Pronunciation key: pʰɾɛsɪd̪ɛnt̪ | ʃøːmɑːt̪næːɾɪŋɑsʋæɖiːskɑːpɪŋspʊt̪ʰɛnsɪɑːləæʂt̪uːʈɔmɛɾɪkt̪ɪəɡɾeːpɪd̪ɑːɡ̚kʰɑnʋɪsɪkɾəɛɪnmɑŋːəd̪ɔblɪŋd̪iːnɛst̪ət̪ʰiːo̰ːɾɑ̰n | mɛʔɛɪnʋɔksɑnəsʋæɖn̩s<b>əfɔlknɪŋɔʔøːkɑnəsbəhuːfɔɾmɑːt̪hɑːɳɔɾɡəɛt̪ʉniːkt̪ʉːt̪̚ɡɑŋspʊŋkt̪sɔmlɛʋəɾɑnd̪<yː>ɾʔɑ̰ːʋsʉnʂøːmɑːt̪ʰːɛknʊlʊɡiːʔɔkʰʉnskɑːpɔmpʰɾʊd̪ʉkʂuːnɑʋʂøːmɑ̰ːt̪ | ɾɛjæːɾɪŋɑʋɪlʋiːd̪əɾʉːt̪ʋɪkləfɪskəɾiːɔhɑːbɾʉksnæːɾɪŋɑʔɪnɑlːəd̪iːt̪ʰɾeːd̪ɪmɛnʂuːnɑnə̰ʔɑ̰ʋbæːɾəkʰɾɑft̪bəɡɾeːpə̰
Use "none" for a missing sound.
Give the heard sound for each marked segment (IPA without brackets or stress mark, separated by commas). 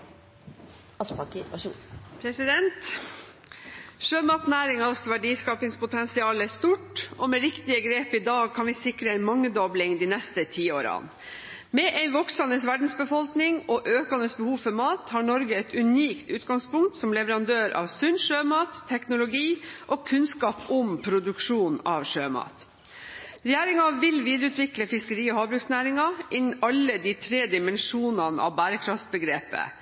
b, øː